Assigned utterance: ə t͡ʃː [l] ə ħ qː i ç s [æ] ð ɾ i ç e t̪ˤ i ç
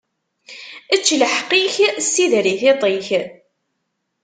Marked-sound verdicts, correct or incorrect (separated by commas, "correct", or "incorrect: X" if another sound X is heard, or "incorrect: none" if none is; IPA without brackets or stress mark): correct, incorrect: i